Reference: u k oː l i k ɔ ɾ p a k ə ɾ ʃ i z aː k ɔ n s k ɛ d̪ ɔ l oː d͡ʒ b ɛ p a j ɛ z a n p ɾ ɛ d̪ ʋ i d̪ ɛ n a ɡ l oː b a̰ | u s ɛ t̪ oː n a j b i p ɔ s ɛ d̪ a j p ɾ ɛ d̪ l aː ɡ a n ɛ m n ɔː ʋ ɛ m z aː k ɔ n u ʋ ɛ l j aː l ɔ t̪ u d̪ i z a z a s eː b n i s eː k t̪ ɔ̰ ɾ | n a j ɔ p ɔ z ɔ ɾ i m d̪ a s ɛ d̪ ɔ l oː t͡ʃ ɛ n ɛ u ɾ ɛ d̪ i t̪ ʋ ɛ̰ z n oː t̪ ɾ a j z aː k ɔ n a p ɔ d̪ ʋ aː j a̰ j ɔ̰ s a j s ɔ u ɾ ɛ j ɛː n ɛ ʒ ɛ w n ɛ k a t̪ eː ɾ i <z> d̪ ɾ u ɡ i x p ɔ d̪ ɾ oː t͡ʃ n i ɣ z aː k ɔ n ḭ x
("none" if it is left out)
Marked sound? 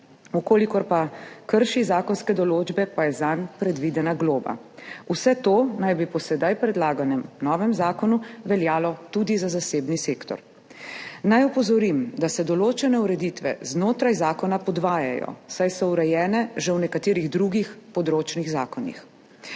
ɣ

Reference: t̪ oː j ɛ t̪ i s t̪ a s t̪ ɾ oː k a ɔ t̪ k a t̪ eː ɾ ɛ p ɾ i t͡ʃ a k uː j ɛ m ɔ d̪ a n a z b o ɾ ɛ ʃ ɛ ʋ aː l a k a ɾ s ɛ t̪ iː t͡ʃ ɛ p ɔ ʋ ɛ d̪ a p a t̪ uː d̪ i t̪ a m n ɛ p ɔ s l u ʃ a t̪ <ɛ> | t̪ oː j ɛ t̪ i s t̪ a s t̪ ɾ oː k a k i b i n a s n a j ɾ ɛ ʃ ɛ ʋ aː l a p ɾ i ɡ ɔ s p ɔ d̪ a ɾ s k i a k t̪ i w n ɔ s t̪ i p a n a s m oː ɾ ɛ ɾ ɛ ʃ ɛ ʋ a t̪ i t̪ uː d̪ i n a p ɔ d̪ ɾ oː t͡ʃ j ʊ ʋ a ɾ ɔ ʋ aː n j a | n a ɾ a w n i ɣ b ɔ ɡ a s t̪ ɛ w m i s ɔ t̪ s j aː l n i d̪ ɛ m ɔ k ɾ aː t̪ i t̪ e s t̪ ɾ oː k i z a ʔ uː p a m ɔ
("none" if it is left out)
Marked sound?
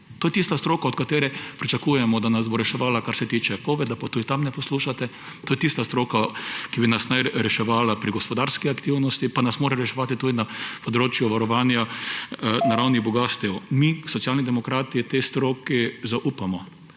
ɛ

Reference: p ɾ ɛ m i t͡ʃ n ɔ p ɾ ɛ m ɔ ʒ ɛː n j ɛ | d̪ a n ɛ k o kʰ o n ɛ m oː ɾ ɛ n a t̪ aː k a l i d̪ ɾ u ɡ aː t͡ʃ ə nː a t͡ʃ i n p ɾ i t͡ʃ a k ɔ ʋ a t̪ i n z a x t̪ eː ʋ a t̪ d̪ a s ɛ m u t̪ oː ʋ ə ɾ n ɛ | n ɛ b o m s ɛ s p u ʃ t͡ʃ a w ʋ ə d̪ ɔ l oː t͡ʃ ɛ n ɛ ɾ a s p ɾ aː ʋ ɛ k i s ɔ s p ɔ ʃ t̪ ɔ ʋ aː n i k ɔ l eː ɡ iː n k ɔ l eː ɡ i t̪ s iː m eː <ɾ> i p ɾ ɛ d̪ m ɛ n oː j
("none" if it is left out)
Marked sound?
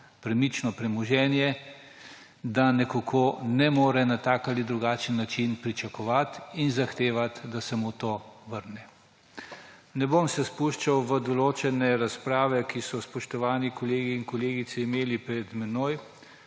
l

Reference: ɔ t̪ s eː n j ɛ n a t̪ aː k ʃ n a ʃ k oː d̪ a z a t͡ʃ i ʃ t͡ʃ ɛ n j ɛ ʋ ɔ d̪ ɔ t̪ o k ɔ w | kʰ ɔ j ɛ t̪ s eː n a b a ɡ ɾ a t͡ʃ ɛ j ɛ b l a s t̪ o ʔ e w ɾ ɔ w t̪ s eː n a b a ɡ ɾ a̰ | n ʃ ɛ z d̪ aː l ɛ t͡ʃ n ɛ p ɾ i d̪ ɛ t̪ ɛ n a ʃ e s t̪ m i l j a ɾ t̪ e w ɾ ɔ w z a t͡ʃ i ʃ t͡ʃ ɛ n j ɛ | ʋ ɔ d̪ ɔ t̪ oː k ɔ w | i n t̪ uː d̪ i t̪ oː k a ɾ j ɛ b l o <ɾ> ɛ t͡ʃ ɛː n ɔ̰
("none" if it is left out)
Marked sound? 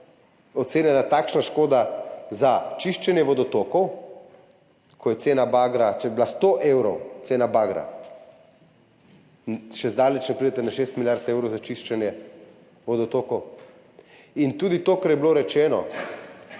ɾ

